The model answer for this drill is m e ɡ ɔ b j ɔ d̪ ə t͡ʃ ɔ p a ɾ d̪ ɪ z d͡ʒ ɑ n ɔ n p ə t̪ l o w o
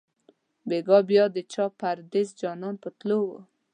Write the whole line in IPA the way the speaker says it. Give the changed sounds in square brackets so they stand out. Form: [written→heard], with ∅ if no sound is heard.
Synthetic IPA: [m→b] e ɡ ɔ b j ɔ d̪ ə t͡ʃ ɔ p a ɾ d̪ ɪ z d͡ʒ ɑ n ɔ n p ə t̪ l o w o